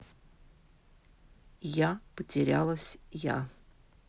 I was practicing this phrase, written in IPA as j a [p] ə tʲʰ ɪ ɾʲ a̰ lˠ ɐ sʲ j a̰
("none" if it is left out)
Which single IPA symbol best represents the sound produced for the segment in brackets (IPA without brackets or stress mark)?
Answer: p